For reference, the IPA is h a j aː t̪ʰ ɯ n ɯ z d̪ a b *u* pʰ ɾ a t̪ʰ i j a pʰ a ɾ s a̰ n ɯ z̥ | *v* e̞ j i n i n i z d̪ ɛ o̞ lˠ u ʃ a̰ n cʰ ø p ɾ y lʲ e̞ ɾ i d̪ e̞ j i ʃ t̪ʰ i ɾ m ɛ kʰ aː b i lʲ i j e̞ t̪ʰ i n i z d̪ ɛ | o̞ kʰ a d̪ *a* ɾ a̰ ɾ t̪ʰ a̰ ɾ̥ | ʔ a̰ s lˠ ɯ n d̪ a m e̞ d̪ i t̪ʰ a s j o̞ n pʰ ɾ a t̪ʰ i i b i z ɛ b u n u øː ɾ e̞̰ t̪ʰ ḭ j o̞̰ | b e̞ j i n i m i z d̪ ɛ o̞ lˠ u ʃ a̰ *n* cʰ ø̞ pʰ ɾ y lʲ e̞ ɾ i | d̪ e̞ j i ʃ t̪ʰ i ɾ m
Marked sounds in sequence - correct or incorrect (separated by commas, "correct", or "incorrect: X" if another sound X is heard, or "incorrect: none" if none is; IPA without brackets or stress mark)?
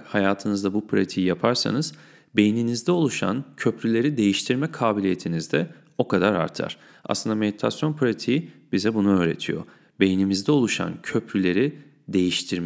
correct, incorrect: b, correct, correct